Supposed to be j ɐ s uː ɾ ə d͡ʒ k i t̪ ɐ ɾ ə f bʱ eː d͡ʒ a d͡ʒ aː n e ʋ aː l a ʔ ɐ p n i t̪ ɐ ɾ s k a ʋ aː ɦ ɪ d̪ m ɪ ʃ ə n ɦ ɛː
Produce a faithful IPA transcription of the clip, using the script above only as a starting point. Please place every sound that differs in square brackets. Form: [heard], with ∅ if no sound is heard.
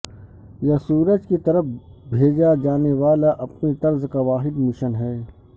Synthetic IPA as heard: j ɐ s uː ɾ ə d͡ʒ k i t̪ ɐ ɾ ə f bʱ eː d͡ʒ a d͡ʒ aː n e ʋ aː l a ʔ ɐ p n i t̪ ɐ ɾ [z] k a ʋ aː ɦ ɪ d̪ m ɪ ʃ ə n ɦ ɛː